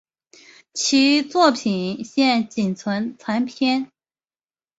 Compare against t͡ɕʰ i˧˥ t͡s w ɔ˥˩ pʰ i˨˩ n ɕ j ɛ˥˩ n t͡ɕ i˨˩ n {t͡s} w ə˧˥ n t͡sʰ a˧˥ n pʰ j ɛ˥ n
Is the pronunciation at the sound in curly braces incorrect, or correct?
incorrect